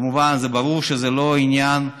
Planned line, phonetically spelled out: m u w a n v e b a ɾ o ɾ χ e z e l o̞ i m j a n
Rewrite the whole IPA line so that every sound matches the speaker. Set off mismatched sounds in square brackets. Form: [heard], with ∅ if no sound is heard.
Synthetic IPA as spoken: m u [v] a n [z] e b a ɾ [u] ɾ [ʃ] e z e l o̞ i [n] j a n